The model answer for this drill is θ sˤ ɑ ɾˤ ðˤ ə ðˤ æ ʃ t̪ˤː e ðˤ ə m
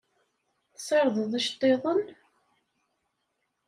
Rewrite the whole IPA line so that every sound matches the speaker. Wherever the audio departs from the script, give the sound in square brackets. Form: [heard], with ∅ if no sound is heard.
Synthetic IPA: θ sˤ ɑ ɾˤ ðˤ ə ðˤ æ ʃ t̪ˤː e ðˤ ə [n]